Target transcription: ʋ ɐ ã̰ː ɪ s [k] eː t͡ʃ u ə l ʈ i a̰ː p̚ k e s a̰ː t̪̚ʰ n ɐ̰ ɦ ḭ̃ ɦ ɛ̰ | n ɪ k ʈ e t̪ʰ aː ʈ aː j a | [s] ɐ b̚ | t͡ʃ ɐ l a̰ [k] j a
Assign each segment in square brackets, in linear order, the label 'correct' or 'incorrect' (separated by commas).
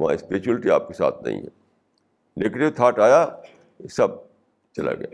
incorrect, correct, incorrect